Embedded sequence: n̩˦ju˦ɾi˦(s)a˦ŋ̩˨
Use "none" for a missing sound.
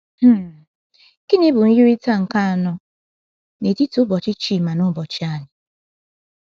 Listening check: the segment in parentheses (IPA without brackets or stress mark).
t